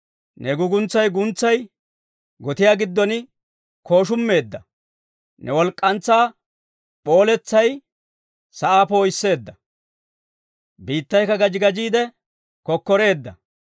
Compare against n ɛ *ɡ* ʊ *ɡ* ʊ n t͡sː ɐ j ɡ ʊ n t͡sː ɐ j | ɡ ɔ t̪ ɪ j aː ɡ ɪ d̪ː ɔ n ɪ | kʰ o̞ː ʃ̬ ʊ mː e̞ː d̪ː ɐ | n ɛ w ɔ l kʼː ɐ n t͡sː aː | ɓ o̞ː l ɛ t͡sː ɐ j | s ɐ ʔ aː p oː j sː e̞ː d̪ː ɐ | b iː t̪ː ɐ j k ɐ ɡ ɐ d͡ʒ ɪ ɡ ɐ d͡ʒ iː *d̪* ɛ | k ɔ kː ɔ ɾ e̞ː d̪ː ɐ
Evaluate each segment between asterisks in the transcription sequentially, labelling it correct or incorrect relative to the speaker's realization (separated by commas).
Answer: correct, correct, correct